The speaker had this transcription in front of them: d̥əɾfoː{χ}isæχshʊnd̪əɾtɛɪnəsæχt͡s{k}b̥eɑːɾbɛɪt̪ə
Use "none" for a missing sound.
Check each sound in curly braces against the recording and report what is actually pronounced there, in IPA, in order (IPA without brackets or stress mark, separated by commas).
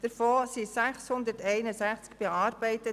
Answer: s, k